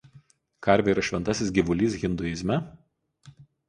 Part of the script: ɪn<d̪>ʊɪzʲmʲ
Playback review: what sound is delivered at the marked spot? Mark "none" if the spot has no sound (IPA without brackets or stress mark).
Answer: d̪